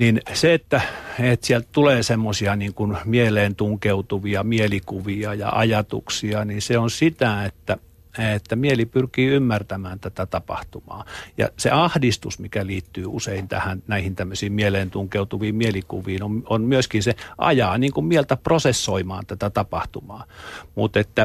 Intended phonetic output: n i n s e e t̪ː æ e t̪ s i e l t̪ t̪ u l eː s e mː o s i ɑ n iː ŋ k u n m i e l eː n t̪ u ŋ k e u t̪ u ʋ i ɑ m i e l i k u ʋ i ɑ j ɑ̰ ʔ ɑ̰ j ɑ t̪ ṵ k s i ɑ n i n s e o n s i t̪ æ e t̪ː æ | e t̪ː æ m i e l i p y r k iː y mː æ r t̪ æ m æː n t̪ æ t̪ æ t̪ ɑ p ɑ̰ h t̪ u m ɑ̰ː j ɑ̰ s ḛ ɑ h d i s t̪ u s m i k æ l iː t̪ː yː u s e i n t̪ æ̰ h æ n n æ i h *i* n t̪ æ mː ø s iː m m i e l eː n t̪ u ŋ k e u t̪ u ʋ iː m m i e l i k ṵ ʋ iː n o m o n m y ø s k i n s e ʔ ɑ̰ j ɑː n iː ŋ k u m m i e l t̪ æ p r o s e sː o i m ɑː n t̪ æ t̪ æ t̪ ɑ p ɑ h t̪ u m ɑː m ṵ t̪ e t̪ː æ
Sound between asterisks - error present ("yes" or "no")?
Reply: no